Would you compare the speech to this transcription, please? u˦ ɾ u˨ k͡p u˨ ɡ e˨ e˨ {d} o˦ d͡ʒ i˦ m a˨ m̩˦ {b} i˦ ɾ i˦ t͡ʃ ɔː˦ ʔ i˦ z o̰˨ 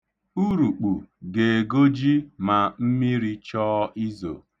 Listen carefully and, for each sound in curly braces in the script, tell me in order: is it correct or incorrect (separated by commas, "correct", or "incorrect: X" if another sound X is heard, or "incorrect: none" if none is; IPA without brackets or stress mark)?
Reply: incorrect: ɡ, incorrect: m